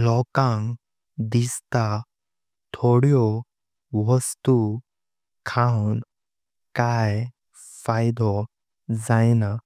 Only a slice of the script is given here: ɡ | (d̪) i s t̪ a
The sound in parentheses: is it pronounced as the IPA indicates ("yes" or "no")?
yes